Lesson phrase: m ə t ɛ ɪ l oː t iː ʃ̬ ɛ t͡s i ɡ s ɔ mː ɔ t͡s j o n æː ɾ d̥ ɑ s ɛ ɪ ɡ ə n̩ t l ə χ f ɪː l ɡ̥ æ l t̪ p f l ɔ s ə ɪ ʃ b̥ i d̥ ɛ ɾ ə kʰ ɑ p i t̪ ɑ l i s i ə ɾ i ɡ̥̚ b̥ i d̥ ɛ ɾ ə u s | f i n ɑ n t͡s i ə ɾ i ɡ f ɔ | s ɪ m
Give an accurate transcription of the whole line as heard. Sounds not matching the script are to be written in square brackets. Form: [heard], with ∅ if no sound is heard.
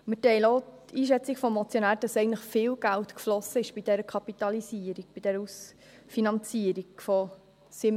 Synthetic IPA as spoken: m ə t ɛ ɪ l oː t iː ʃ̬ ɛ t͡s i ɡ [f] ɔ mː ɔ t͡s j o n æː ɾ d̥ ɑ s ɛ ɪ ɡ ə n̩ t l ə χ f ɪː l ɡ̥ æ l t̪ [k] f l ɔ s ə ɪ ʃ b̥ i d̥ ɛ ɾ ə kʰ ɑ p i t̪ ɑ l i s i ə ɾ i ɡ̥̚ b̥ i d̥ ɛ ɾ ə u s | f i n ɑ n t͡s i ə ɾ i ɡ f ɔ | s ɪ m